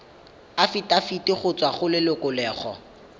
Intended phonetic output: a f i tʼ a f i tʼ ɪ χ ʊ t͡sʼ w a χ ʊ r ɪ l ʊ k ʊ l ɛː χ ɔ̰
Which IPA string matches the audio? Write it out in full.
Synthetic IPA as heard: a f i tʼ a f i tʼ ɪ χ ʊ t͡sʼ w a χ ʊ l ɪ l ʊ k ʊ l ɛː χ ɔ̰